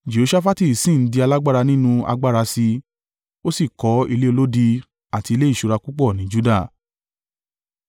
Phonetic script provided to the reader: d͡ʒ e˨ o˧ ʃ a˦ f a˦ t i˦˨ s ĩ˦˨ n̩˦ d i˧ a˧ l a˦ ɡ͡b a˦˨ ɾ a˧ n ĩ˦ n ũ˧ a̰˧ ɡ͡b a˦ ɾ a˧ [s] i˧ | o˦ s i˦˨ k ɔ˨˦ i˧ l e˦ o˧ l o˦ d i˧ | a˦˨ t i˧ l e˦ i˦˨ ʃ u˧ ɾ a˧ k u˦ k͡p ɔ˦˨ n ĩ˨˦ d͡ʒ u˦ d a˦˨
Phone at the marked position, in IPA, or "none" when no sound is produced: s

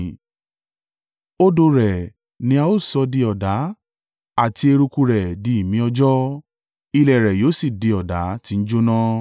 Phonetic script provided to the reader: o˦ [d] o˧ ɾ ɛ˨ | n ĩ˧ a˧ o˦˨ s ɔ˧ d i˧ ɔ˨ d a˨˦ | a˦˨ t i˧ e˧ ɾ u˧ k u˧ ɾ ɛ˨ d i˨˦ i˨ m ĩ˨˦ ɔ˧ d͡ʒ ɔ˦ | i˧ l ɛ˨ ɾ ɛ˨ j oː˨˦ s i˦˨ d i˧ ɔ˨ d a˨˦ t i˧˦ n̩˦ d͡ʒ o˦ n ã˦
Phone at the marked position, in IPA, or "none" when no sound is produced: d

